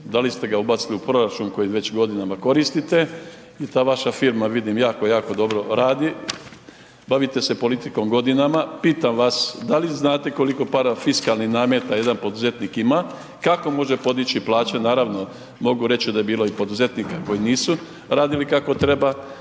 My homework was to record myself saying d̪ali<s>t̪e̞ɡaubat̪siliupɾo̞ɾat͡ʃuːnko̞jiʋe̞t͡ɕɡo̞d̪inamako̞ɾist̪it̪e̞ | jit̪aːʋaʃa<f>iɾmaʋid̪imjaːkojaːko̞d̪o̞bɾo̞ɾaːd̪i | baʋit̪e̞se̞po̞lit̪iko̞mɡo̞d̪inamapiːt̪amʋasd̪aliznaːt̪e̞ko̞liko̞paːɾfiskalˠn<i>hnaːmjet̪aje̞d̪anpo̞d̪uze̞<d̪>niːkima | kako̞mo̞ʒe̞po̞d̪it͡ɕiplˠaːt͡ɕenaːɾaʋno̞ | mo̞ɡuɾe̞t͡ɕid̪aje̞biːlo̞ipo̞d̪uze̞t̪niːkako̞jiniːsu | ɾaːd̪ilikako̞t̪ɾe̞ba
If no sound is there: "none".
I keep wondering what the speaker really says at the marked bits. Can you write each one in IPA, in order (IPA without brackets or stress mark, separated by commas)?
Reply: s, f, i, t̪